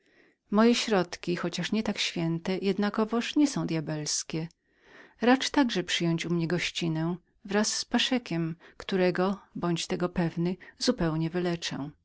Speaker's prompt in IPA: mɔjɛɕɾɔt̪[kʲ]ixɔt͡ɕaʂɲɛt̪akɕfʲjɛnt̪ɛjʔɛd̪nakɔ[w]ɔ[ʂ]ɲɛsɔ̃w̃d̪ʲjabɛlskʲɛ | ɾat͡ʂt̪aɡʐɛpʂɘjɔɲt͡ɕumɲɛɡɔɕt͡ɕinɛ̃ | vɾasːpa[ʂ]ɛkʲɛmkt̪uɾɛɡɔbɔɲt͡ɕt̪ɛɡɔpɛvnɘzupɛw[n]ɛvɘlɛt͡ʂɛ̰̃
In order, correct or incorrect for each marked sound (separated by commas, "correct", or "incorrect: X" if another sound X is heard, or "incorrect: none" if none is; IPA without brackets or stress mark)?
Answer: correct, incorrect: v, correct, correct, incorrect: ɲ